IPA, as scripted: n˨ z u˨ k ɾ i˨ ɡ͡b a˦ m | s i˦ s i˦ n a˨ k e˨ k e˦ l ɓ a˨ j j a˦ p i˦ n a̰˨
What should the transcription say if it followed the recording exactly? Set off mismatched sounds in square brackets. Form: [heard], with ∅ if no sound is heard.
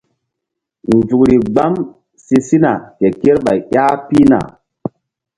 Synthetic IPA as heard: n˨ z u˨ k ɾ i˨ ɡ͡b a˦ m | s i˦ s i˦ n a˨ k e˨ k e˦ [ɾ] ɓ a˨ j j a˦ p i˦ n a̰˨